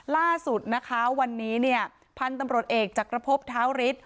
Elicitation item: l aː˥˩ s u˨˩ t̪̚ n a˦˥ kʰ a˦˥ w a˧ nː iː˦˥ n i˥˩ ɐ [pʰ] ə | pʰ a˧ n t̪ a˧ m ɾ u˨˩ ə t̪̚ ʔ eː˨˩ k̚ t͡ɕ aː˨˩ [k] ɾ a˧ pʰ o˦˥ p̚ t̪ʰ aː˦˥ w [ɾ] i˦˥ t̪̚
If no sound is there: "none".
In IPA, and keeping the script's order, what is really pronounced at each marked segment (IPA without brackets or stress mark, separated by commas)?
none, k, ɾ